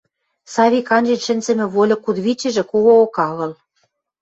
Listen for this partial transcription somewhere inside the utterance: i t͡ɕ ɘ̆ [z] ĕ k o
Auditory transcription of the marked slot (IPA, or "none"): ʒ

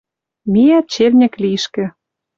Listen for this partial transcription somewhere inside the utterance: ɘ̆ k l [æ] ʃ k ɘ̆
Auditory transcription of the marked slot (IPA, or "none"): i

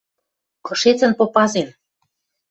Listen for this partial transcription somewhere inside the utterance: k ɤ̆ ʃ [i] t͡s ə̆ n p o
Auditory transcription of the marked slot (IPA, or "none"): e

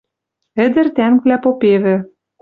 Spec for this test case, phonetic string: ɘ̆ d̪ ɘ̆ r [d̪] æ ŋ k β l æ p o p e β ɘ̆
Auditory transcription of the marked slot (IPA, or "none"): t̪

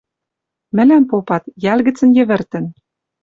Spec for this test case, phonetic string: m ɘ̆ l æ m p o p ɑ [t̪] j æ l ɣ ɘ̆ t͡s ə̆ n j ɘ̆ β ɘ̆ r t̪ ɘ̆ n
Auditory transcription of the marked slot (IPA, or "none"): t̪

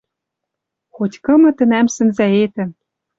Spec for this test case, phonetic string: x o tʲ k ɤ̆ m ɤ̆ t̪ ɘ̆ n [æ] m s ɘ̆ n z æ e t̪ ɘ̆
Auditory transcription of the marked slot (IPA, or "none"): æ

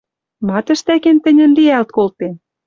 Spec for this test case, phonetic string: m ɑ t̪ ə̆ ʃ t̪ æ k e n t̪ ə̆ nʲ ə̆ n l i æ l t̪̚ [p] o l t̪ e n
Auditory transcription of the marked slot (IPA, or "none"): k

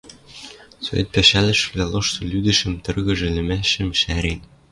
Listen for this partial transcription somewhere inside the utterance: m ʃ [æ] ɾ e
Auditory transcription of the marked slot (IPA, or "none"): æ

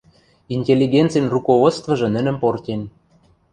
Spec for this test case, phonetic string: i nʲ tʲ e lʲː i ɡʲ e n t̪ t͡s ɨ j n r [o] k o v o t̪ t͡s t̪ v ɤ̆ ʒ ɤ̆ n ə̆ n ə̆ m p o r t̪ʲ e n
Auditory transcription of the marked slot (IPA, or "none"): u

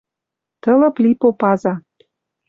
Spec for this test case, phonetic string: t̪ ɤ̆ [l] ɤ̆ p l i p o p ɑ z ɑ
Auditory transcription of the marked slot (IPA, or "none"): l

